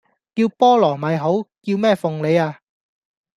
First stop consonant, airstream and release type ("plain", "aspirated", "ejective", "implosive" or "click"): plain